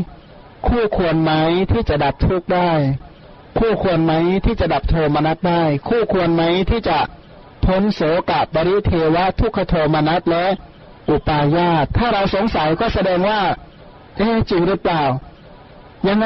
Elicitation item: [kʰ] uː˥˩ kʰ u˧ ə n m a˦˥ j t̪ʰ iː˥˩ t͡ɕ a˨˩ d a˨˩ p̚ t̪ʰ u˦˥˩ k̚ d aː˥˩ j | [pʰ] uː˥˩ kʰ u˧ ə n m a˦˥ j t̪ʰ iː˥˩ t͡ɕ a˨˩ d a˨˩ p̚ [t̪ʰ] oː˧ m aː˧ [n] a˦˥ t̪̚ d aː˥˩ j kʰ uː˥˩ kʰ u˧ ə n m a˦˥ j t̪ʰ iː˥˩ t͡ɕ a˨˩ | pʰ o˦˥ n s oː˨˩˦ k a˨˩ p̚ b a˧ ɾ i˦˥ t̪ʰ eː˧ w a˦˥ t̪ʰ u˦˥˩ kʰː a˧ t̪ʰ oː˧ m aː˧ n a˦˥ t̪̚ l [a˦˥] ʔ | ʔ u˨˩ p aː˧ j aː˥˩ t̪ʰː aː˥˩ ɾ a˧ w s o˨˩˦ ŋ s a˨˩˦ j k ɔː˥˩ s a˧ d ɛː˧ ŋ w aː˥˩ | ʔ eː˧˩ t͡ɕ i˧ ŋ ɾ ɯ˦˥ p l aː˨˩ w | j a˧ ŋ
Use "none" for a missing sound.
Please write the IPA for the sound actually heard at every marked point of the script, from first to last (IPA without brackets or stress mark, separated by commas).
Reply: kʰ, kʰ, t̪ʰ, n, ɛ˦˥